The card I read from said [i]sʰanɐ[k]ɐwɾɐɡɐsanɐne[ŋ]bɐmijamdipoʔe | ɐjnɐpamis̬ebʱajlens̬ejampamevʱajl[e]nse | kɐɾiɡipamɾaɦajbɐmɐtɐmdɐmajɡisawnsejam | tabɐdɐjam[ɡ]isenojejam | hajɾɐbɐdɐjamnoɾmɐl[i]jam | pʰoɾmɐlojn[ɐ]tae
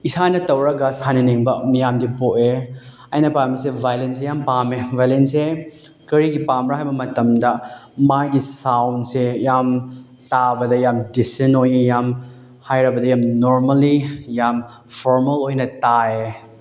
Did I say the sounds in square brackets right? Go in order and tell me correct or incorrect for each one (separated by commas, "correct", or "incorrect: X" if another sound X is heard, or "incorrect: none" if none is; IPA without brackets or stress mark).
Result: correct, incorrect: t, correct, correct, incorrect: d, correct, correct